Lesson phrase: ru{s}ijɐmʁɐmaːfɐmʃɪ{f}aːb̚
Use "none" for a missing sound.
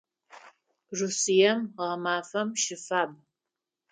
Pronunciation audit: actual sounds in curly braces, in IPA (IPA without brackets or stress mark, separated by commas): s, f